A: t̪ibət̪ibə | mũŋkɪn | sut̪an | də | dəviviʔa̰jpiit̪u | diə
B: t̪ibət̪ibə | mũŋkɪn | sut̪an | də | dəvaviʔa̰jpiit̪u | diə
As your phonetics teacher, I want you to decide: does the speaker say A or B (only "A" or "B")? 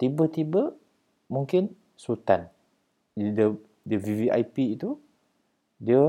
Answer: A